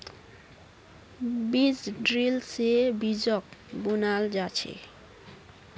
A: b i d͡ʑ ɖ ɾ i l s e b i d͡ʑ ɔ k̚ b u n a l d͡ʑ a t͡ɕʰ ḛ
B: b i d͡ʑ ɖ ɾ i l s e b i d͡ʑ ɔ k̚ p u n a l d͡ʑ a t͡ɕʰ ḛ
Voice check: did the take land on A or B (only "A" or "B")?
A